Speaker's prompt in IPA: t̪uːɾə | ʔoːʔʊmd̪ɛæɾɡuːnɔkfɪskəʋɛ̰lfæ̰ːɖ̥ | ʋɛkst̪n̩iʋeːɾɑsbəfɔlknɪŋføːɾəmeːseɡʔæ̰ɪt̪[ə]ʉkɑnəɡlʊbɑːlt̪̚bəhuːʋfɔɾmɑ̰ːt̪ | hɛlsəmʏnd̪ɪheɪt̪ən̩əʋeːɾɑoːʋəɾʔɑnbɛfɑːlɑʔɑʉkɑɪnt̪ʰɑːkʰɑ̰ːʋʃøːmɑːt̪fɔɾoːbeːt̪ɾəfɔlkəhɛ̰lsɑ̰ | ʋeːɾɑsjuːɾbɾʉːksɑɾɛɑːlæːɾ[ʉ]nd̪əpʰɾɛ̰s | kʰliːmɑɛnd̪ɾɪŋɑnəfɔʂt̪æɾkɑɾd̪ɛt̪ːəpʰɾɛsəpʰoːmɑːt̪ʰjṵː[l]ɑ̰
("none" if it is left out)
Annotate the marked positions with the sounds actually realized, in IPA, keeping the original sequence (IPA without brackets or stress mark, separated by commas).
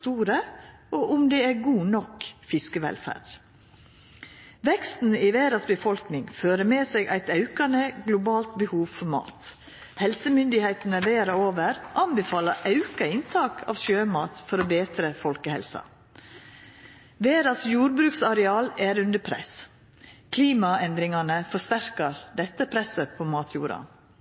ɑ, ʉ, ɾ